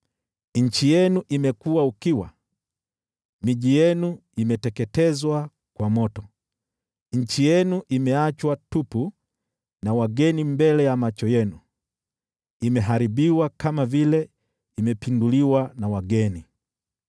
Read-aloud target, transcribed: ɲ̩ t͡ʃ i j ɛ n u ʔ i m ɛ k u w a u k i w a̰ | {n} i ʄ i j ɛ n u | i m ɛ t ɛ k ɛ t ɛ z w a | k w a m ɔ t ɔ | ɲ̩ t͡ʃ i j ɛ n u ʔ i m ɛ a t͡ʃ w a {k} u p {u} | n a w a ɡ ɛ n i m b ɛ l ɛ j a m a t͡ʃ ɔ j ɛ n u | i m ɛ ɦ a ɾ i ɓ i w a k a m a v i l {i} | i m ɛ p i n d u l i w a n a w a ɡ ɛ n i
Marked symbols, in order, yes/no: no, no, yes, no

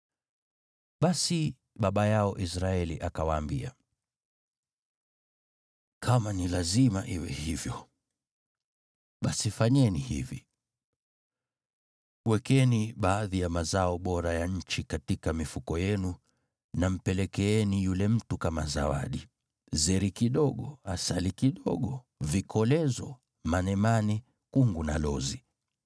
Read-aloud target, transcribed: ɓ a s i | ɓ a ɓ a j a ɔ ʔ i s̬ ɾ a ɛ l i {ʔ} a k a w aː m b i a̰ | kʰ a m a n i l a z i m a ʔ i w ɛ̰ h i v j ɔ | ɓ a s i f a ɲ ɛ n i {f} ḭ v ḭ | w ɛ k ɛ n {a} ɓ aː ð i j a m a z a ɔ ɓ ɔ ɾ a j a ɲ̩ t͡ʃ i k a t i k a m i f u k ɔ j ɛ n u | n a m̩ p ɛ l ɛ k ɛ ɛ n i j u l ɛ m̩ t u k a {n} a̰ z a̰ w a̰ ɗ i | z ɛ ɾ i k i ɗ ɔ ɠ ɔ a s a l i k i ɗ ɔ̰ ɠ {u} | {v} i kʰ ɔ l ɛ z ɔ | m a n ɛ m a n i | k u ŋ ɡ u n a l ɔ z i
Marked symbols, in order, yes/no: yes, no, no, no, no, yes

